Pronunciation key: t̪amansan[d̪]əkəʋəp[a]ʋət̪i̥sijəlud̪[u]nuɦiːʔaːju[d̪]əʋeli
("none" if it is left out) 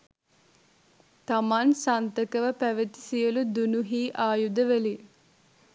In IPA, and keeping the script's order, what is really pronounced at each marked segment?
t̪, æ, u, d̪

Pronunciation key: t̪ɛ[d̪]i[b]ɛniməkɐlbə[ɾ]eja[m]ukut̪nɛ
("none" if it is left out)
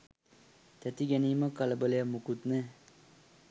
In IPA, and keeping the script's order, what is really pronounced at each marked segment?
t̪, ɡ, l, m

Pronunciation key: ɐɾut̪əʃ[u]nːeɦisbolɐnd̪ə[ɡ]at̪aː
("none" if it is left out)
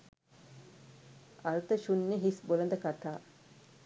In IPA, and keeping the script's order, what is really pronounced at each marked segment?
u, k

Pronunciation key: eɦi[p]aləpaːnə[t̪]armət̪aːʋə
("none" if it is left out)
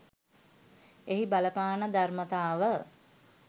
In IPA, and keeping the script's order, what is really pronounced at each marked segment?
b, d̪

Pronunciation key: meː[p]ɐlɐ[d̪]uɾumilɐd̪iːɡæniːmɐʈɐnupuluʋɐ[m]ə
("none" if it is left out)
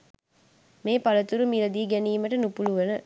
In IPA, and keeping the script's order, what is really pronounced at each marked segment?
p, t̪, n

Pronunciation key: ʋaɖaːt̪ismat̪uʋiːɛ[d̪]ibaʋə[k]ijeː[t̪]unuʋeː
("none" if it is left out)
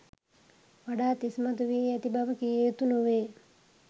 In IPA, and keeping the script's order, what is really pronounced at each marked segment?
t̪, k, t̪

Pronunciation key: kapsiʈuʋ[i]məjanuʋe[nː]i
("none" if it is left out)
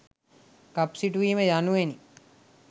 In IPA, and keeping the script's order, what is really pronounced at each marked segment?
iː, n

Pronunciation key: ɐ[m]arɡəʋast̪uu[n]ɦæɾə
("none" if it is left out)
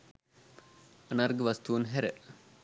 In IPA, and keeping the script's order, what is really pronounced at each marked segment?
n, n

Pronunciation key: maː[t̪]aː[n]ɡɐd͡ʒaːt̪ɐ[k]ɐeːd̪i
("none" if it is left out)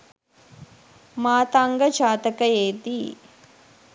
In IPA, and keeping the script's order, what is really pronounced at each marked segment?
t̪, ŋ, k

